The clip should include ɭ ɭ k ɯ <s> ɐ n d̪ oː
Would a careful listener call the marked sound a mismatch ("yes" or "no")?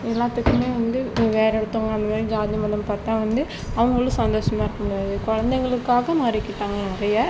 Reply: no